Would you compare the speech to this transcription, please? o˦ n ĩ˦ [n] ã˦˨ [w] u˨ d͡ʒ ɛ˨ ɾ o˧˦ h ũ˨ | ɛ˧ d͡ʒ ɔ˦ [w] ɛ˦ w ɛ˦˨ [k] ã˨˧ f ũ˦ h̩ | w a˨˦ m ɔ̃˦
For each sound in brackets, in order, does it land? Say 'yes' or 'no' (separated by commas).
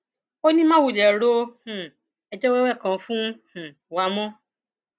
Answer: no, yes, yes, yes